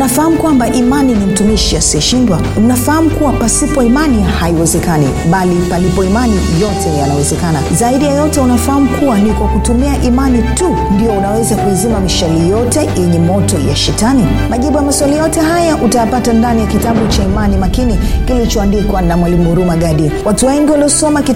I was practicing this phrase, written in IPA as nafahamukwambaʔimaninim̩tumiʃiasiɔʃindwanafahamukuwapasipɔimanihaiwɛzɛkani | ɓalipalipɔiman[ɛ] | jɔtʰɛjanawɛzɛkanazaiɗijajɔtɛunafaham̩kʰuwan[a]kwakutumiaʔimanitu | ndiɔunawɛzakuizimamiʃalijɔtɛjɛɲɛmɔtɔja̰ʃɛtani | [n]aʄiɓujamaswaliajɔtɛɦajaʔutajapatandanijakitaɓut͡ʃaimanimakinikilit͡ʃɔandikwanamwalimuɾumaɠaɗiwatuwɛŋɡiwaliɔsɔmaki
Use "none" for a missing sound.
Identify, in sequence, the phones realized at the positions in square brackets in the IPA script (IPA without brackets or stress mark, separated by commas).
i, i, m